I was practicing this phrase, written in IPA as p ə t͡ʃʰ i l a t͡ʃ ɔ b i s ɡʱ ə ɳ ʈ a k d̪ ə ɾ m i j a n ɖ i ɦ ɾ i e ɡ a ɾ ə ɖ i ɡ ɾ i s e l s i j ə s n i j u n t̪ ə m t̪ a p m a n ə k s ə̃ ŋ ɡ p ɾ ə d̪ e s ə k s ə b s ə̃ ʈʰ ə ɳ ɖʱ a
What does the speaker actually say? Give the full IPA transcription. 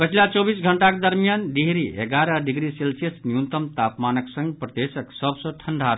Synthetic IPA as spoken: p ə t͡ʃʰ i l a t͡ʃ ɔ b i s ɡʱ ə ɳ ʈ a k d̪ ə ɾ m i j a n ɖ i ɦ ɾ i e ɡ a ɾ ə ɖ i ɡ ɾ i s e l s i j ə s n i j u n t̪ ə m t̪ a p m a n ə k s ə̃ ŋ ɡ p ɾ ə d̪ e s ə k s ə b s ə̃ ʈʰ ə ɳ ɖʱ a